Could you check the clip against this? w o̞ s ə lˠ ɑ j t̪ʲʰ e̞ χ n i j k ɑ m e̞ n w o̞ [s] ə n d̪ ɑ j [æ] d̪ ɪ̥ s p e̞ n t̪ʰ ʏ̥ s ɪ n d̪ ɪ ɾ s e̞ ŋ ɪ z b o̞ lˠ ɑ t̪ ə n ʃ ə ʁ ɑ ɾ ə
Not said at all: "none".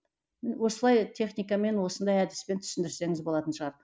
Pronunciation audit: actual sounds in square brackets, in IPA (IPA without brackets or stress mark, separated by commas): s, æ